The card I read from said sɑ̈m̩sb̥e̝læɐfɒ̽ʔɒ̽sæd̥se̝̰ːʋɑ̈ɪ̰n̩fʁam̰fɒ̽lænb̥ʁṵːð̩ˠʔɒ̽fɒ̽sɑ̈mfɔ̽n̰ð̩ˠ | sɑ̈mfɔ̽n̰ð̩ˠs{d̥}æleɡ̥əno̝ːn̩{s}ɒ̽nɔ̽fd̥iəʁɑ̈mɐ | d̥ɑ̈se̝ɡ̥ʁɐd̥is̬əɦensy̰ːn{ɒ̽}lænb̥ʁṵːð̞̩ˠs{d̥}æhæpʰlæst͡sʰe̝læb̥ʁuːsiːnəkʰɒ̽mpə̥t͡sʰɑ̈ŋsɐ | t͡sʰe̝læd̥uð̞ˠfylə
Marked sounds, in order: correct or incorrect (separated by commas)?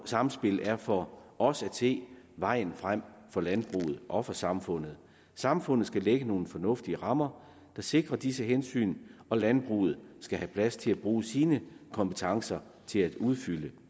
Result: incorrect, incorrect, correct, incorrect